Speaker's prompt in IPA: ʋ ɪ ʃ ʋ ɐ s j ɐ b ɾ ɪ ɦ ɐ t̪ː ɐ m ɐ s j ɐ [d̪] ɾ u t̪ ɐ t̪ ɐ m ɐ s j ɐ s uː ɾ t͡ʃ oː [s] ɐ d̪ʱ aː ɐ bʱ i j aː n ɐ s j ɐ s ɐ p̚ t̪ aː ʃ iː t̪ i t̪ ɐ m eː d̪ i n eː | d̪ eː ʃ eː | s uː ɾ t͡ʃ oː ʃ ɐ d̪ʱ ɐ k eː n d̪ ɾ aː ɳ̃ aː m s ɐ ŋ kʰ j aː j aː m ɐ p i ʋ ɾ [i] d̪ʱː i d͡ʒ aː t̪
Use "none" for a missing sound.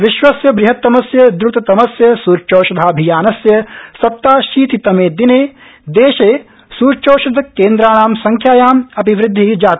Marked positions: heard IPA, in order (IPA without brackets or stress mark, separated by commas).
d̪, ʃ, ɪ